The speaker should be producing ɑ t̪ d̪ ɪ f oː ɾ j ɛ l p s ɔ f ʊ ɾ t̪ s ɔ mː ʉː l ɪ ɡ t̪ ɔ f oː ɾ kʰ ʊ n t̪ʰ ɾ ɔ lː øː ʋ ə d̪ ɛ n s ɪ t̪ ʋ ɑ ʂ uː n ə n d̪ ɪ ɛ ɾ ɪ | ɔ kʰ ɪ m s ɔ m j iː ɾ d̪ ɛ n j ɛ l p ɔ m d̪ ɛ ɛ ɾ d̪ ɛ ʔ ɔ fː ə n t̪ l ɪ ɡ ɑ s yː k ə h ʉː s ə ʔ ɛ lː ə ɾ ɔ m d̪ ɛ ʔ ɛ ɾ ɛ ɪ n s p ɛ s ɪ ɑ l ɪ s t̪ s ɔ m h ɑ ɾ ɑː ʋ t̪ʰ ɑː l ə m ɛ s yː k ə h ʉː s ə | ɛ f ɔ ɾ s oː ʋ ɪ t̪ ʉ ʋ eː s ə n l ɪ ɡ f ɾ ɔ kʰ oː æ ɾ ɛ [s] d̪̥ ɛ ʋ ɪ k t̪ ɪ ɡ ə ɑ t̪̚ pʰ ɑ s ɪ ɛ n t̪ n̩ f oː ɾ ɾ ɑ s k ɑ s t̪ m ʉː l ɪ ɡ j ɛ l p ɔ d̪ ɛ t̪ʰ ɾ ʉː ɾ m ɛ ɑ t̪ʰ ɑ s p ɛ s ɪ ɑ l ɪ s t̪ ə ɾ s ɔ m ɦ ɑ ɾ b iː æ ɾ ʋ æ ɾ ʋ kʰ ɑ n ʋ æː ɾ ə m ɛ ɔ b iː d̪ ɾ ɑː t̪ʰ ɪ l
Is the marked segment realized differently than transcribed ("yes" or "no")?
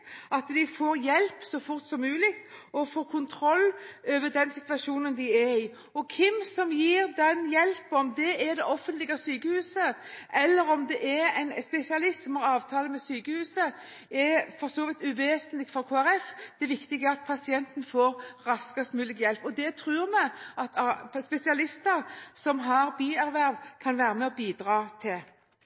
yes